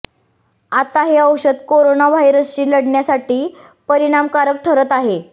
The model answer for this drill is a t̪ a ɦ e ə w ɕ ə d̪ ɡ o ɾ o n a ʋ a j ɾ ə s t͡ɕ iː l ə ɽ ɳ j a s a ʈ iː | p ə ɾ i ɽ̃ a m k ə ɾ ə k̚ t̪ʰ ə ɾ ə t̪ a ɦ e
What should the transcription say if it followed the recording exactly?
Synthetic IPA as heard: a t̪ a ɦ e ə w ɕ ə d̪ k o ɾ o n a ʋ a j ɾ ə s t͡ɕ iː l ə ɽ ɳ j a s a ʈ iː | p ə ɾ i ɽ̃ a m k a ɾ ə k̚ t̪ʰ ə ɾ ə t̪ a ɦ e